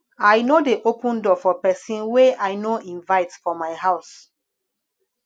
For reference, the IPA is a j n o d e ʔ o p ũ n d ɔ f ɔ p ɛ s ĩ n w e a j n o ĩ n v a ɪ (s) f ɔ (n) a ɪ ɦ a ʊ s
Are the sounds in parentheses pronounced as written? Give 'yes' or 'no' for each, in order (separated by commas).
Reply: no, no